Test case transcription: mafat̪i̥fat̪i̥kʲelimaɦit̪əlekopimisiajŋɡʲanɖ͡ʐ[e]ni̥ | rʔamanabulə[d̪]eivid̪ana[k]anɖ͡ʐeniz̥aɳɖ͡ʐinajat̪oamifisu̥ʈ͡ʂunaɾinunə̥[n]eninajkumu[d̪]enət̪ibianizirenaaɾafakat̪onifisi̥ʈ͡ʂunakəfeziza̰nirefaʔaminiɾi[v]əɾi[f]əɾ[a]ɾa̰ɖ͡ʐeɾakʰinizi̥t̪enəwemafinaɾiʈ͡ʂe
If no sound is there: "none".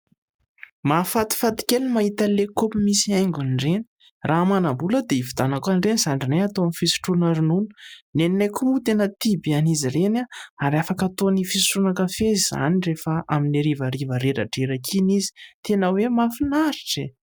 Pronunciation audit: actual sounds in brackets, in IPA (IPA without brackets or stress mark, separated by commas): e, d̪, k, n, t̪, v, v, e